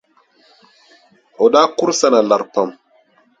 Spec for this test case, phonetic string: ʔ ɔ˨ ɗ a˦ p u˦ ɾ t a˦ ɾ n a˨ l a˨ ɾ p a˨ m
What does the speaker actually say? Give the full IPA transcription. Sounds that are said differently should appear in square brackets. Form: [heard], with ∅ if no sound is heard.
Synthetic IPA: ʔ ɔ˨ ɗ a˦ [k] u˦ ɾ [s] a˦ [∅] n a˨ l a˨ ɾ p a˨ m